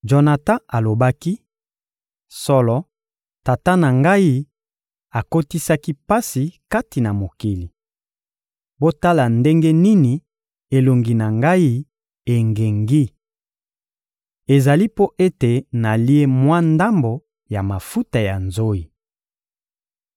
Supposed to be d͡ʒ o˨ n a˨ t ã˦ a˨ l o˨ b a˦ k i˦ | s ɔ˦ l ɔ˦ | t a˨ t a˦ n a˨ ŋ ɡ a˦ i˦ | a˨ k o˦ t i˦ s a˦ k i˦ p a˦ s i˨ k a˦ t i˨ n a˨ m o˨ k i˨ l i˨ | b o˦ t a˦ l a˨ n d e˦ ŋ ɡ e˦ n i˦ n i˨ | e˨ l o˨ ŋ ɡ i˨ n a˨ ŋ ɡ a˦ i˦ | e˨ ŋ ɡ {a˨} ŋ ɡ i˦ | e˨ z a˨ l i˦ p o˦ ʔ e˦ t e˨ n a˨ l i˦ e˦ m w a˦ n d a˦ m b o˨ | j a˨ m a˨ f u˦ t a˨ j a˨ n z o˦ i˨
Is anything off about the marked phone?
yes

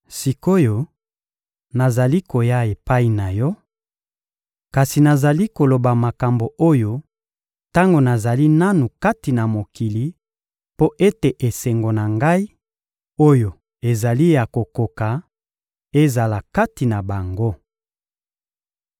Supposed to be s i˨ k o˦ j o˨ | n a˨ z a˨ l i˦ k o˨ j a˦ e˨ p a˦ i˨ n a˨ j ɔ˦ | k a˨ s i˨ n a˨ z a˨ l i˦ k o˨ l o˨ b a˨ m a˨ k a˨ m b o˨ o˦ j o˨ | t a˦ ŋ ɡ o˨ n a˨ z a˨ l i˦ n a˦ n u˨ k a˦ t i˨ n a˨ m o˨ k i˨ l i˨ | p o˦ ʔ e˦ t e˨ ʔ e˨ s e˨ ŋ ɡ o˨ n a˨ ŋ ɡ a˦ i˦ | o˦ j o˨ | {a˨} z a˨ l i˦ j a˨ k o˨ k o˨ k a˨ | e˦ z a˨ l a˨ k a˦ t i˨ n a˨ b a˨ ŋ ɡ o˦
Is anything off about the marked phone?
yes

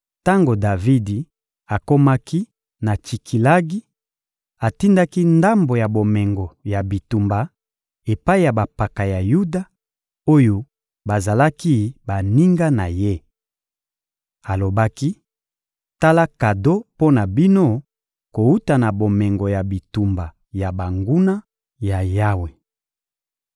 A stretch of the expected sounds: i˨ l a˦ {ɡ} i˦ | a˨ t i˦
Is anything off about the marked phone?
no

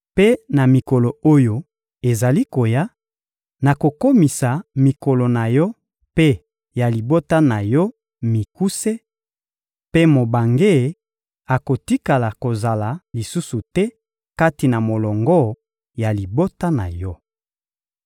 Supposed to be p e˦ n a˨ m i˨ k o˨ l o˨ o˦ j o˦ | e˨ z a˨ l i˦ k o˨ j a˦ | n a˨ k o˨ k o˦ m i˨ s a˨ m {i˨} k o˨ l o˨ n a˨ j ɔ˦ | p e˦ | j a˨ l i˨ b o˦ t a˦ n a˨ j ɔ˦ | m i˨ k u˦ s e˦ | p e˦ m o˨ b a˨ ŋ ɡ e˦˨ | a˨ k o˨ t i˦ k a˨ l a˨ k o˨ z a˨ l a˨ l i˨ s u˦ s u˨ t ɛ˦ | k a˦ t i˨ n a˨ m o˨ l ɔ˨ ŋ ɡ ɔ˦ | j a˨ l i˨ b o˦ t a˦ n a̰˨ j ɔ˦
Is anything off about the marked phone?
no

